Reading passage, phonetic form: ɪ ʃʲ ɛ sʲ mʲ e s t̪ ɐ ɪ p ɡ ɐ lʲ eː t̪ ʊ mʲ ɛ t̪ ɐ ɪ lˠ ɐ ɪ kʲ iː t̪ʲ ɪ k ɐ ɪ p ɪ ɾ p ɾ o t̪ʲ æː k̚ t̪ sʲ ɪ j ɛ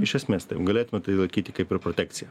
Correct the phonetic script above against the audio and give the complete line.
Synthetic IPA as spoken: ɪ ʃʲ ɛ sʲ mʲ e s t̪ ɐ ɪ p ɡ ɐ lʲ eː t̪ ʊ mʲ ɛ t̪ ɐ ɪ lˠ ɐ ɪ kʲ iː t̪ʲ ɪ k ɐ ɪ p ɪ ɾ p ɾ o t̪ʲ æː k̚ t̪ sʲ ɪ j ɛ